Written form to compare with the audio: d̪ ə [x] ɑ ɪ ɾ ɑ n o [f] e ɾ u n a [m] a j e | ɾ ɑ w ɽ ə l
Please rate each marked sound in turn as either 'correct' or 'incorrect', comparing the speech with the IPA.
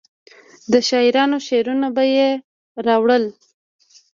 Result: incorrect, incorrect, incorrect

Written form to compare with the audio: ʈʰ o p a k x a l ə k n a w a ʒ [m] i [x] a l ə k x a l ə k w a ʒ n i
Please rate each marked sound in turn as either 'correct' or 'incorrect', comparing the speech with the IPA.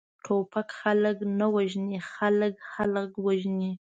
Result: incorrect, correct

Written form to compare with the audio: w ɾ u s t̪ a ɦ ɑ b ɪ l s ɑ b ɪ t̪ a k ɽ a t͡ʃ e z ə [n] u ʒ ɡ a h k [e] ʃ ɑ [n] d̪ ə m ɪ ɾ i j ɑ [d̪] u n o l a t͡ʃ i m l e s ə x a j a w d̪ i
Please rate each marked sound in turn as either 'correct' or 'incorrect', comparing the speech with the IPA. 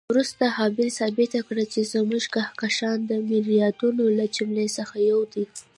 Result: incorrect, incorrect, correct, correct

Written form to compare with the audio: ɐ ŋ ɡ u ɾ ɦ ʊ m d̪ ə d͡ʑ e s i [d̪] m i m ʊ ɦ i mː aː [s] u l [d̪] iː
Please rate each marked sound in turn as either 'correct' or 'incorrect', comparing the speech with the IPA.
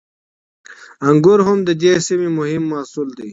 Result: incorrect, correct, correct

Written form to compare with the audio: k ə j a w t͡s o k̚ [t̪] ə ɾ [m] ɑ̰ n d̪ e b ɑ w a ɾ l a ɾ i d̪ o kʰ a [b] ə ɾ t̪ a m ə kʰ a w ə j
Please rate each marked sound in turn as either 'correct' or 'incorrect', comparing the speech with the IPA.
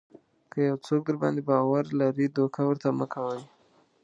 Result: incorrect, incorrect, incorrect

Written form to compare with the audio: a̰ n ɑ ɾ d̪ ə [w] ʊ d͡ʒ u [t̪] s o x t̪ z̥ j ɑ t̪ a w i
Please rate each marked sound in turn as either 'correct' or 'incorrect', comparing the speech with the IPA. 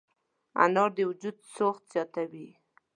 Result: correct, incorrect

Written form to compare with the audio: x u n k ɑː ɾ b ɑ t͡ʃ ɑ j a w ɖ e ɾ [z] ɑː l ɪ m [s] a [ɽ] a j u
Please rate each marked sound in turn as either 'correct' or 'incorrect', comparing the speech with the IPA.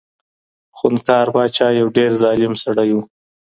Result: correct, correct, correct

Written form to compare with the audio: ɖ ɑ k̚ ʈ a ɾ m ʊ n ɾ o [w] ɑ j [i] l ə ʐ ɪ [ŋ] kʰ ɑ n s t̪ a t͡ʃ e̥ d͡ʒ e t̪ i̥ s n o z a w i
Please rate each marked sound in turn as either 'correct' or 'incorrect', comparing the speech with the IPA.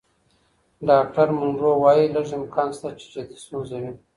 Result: correct, correct, incorrect

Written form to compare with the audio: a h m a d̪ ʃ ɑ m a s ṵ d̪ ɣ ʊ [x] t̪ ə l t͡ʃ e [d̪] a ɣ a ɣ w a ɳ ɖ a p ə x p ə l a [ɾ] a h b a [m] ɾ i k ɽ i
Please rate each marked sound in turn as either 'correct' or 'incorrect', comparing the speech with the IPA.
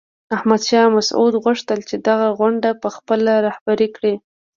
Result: incorrect, correct, correct, incorrect

